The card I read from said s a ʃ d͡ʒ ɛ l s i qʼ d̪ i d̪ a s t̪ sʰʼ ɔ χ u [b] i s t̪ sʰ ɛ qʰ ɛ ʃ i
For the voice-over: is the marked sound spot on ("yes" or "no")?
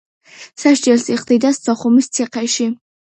no